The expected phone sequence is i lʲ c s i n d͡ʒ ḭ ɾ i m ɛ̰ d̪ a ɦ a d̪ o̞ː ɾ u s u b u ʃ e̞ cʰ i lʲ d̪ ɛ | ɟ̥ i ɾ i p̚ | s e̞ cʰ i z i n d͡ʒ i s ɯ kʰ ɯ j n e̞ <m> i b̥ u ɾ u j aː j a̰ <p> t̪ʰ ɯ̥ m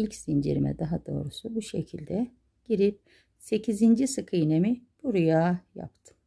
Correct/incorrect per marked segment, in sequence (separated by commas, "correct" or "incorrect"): correct, correct